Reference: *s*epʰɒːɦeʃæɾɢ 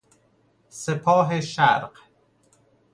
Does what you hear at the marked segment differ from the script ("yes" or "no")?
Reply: no